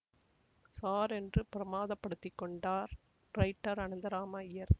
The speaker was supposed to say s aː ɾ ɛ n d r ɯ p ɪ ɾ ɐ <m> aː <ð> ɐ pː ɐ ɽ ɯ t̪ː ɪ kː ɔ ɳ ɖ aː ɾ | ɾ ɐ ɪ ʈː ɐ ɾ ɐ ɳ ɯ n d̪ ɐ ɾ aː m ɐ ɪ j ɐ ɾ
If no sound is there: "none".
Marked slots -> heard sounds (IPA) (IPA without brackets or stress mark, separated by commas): m, ð